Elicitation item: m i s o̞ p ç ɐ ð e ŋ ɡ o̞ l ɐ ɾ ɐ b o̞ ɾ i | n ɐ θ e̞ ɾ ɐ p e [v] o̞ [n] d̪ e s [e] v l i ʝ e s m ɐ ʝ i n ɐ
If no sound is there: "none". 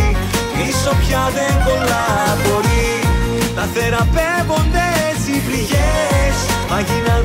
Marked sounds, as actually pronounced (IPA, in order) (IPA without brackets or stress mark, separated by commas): v, n, i